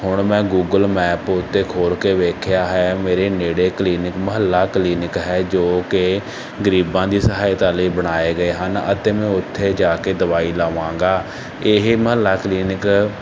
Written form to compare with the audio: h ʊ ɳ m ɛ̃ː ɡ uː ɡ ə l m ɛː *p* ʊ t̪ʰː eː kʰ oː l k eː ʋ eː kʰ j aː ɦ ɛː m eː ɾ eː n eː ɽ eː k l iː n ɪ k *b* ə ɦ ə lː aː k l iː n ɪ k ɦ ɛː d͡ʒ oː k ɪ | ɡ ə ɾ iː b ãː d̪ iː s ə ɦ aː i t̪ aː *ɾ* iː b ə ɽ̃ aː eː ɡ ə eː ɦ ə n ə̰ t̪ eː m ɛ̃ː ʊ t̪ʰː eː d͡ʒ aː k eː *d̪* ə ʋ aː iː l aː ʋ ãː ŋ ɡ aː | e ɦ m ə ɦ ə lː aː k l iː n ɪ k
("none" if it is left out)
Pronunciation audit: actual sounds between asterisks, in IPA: p, m, l, d̪

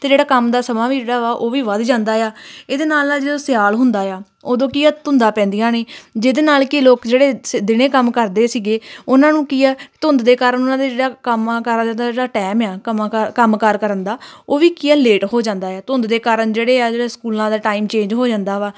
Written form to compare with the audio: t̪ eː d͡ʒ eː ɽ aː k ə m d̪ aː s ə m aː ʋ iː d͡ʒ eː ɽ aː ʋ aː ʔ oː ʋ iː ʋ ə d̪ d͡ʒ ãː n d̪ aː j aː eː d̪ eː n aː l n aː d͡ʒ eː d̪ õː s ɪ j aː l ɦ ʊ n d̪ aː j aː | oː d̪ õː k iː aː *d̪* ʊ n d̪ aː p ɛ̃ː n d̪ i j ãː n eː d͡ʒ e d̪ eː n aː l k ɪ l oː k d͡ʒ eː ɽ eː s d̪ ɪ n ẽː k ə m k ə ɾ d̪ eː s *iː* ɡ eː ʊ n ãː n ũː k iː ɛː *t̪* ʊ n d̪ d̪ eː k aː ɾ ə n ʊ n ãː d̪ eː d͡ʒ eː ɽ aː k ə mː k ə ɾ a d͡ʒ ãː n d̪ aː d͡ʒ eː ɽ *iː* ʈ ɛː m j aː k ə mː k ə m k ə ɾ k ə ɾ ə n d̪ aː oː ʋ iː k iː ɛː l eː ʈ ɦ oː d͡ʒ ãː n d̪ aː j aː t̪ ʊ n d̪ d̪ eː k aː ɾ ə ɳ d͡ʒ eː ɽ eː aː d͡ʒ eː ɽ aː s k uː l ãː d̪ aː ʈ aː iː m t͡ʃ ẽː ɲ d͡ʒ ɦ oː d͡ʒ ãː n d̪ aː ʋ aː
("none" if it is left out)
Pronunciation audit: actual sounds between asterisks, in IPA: t̪, iː, t̪, aː

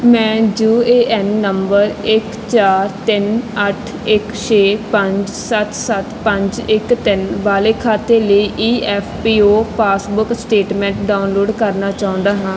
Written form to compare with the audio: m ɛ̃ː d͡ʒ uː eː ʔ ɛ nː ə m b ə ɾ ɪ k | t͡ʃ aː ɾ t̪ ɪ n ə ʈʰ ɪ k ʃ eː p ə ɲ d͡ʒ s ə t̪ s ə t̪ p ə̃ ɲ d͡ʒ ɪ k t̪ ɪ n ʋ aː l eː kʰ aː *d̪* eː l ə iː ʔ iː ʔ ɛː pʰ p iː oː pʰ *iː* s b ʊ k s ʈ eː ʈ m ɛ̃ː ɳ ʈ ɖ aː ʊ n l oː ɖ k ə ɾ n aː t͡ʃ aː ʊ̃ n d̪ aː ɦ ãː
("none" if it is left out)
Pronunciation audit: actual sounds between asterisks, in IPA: t̪, aː

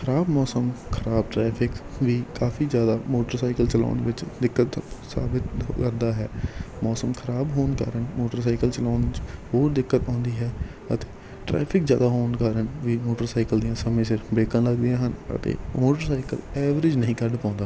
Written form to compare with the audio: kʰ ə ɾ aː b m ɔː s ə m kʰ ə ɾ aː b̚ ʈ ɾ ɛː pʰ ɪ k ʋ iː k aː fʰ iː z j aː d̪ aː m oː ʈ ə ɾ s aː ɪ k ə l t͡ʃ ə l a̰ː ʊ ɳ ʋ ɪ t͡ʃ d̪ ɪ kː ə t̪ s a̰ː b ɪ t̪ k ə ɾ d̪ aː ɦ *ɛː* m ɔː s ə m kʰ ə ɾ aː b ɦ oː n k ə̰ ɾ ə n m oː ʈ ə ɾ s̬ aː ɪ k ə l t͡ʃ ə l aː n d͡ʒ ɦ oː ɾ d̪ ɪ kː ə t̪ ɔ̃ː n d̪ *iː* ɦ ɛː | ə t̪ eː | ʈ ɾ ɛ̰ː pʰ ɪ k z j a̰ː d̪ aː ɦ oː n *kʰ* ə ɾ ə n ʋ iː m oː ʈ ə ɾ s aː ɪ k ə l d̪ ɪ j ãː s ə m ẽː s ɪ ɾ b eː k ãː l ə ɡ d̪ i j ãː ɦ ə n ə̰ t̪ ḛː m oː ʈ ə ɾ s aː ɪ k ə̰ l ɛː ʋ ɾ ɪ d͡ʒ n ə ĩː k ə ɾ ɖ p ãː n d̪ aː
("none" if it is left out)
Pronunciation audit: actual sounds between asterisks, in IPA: ɛː, iː, k

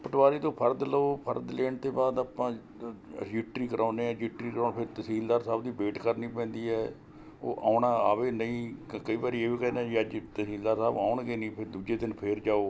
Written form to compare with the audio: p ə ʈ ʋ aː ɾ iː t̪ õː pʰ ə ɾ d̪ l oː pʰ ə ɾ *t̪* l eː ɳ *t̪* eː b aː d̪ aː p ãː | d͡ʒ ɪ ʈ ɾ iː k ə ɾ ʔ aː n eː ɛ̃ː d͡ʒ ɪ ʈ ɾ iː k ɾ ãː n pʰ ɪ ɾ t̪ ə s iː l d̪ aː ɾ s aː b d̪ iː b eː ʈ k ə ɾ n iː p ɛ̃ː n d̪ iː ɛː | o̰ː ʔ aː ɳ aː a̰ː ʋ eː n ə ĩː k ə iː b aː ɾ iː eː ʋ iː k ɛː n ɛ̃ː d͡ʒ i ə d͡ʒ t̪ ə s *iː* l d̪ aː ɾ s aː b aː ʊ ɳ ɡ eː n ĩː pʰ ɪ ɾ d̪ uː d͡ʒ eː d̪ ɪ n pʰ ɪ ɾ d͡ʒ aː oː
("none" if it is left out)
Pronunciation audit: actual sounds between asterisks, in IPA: d̪, t̪, iː

